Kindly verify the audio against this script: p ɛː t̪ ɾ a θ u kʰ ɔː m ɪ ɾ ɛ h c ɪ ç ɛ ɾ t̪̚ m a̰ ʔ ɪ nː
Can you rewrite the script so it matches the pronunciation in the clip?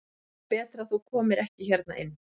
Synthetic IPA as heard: p ɛː t̪ ɾ a θ u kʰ ɔː m ɪ ɾ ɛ h c ɪ ç ɛ ɾ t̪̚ n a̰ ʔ ɪ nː

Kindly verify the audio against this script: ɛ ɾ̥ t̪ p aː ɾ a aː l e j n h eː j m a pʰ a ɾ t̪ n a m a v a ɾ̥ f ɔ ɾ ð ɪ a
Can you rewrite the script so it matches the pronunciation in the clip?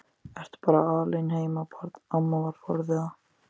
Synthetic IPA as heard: ɛ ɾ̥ t̪ p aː ɾ a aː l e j n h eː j m a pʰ a ɾ t̪ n a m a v a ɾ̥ f ɔ ɾ ð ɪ a

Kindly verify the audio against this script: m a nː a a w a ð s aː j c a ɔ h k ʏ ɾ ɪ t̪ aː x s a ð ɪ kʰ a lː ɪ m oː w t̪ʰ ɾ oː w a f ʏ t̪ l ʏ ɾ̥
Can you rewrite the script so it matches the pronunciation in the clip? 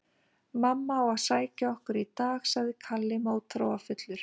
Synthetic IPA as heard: m a mː a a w a ð s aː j c a ɔ h k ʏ ɾ i t̪ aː x s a ð ɪ kʰ a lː ɪ m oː w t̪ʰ ɾ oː w a f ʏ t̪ l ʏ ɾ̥

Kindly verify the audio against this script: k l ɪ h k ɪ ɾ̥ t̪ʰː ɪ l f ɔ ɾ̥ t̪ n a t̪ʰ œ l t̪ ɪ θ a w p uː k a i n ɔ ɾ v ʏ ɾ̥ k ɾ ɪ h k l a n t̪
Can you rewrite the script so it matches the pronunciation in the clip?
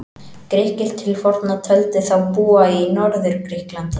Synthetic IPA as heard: k ɾ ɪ h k ɪ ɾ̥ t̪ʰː ɪ l f ɔ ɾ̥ t̪ n a t̪ʰ œ l t̪ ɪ θ a w p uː a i n ɔ ɾ ð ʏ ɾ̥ k ɾ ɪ h k l a n t̪

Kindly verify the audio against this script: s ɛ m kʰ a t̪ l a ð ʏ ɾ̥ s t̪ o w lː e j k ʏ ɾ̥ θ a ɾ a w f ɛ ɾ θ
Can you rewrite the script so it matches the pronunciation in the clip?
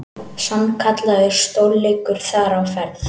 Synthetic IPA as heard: s a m kʰ a t̪ l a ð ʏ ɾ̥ s t̪ o w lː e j k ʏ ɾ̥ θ a ɾ a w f ɛ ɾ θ

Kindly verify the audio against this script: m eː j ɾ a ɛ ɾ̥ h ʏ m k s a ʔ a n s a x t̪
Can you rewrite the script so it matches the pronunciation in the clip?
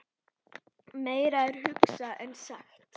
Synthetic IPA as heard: m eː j ɾ a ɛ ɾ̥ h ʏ k s a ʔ ɛ n s a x t̪

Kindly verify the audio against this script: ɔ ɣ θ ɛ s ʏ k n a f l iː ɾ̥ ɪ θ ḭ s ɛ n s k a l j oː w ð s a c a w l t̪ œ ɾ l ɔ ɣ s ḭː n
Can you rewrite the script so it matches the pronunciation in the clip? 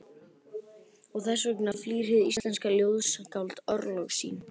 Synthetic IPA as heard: ɔ ɣ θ ɛ s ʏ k n a f l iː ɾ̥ ɪ ð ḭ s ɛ n s k a l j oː w ð s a k a w l t̪ œ ɾ l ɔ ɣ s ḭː n

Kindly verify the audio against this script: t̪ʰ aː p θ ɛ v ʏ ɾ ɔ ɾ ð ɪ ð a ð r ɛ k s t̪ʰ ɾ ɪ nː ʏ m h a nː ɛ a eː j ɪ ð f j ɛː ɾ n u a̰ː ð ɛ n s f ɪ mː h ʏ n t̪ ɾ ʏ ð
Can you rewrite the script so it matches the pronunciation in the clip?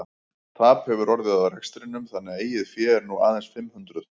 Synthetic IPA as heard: t̪ʰ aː p h ɛ v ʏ ɾ ɔ ɾ ð ɪ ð a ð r ɛ k s t̪ ɾ ɪ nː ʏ m θ a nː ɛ a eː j ɪ ð f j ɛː ɾ n u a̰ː ð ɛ n s f ɪ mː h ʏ n t̪ ɾ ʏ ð

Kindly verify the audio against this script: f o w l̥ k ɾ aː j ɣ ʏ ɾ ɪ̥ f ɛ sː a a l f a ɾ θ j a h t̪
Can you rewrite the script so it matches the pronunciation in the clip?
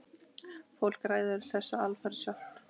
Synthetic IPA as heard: f o w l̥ k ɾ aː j ð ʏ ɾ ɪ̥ θ ɛ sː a a l f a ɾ s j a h t̪

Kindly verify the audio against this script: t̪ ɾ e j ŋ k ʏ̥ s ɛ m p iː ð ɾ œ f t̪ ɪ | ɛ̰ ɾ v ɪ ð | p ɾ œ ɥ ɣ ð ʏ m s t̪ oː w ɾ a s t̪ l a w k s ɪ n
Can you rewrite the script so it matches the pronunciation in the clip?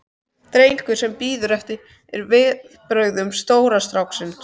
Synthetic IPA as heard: t̪ ɾ e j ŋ k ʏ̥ s ɛ m p iː ð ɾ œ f t̪ ɪ | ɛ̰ ɾ v ɪ ð | p ɾ œ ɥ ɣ ð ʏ m s t̪ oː w ɾ a s t̪ ɾ a w k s ɪ n

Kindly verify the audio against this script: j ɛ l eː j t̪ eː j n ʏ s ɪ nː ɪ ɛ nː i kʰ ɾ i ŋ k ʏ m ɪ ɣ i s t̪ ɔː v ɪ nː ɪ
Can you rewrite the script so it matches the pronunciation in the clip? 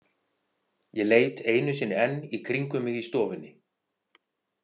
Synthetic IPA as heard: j ɛ l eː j t̪ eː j n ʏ s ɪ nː ɪ ɛ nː i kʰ ɾ i ŋ k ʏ m ɪ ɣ i s t̪ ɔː v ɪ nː ɪ

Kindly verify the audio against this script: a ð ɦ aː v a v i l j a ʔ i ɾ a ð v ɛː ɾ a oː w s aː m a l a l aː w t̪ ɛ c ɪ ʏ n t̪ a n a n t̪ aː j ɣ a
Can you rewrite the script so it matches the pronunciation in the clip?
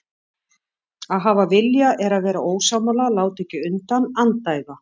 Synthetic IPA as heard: a ð ɦ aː v a v ɪ l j a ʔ ɛ ɾ a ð v ɛː ɾ a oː w s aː m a l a l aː w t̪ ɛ c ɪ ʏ n t̪ a n a n t̪ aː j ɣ a

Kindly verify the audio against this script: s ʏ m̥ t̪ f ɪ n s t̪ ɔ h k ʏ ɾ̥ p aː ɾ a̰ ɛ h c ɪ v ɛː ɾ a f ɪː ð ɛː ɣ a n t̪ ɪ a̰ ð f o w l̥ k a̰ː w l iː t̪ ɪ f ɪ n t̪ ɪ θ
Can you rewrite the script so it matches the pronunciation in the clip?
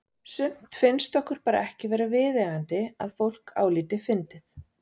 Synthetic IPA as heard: s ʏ m̥ t̪ f ɪ n s t̪ ɔ h k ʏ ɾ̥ p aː ɾ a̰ ɛ h c ɪ v ɛː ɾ a v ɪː ð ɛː ɣ a n t̪ ɪ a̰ ð f o w l̥ k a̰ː w l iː t̪ ɪ f ɪ n t̪ ɪ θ

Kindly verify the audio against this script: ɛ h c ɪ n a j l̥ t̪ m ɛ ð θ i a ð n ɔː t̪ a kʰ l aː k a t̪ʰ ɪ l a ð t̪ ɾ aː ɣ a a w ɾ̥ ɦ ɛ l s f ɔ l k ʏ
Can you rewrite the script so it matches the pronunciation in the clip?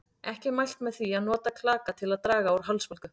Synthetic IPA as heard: ɛ h c ɪ m a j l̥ t̪ m ɛ ð θ i a ð n ɔː t̪ a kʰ l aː k a t̪ʰ ɪ l a ð t̪ ɾ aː ɣ a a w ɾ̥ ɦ a l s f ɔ l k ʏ

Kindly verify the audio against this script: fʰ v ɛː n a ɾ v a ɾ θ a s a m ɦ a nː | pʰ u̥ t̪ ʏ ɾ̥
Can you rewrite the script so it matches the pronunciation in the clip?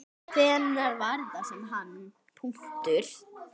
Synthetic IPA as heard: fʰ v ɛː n a ɾ v a ɾ ð a s ɛ m ɦ a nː | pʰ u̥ t̪ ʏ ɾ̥

